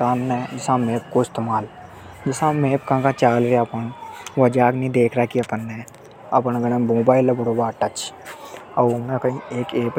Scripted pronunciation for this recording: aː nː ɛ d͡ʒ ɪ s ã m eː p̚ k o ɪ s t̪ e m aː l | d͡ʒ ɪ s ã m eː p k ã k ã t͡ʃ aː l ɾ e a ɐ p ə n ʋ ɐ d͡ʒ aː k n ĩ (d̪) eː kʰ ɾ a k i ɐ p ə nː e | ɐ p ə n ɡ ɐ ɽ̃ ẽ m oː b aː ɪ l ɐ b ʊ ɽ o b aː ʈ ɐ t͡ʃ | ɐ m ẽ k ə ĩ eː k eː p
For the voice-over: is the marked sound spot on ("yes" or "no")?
yes